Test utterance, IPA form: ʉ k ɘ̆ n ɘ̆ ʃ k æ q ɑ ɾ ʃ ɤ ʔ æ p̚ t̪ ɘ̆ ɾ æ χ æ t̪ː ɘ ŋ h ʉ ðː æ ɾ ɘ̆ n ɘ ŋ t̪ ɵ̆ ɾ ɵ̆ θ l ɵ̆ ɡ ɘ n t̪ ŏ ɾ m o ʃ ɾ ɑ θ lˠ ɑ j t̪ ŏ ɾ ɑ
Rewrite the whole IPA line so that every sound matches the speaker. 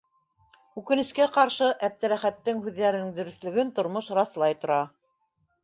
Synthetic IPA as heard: ʉ k ɘ̆ n ɘ̆ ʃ k æ q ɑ ɾ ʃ ɤ ʔ æ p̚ t̪ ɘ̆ ɾ æ χ æ t̪ː ɘ ŋ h ʉ ðː æ ɾ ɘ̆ n ɘ ŋ d̪ ɵ̆ ɾ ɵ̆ θ l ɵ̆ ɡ ɘ n t̪ ŏ ɾ m o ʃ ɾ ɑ θ lˠ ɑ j t̪ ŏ ɾ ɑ